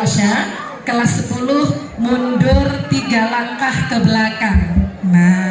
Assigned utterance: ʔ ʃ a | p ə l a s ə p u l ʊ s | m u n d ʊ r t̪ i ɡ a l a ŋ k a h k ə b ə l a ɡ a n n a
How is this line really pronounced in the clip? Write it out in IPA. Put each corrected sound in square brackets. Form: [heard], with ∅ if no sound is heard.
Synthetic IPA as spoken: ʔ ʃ a | [k] ə l a s ə p u l ʊ [h] | m u n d ʊ r t̪ i ɡ a l a ŋ k a h k ə b ə l a [k] a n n a